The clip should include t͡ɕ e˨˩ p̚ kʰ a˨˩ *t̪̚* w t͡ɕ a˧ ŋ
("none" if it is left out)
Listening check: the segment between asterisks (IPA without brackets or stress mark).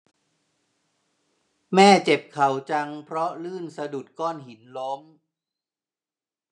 none